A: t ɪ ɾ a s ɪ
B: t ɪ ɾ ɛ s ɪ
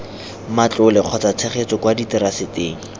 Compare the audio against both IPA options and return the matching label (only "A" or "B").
A